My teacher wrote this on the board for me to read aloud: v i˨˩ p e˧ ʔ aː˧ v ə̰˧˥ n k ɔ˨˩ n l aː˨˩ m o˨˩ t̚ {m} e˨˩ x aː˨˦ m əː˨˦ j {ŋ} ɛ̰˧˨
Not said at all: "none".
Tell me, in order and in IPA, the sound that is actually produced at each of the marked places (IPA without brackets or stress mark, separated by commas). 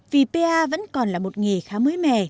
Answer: ŋ, m